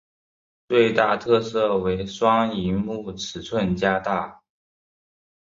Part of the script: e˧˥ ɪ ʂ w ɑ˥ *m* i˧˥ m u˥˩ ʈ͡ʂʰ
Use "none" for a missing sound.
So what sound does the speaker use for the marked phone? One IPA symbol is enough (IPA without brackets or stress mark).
ŋ